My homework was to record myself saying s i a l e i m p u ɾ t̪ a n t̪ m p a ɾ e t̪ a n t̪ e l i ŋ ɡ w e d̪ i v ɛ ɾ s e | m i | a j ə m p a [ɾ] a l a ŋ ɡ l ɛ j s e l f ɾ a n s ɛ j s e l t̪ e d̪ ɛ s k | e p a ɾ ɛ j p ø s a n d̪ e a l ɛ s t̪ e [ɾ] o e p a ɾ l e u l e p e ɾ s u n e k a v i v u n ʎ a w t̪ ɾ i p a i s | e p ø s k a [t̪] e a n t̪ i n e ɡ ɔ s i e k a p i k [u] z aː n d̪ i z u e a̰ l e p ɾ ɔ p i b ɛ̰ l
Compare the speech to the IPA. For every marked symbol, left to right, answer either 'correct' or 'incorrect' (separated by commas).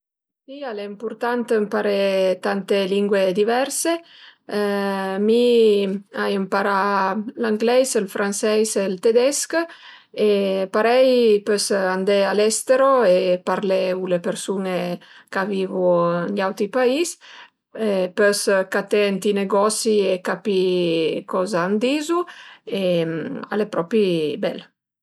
correct, correct, correct, incorrect